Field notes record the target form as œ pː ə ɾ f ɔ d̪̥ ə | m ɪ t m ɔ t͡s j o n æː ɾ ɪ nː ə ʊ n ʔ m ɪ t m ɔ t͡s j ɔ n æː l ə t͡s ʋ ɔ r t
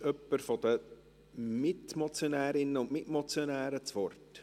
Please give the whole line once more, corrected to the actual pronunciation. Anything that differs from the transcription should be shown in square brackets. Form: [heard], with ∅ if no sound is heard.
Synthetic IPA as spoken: œ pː ə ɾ f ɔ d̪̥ ə | m ɪ t m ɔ t͡s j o n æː ɾ ɪ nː ə ʊ n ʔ m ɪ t m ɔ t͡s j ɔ n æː [ɾ] ə t͡s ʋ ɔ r t